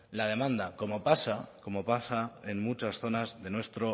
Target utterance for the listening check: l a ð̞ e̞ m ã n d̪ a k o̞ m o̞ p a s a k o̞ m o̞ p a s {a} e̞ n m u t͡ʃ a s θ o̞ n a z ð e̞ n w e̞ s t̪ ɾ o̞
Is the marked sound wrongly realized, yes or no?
no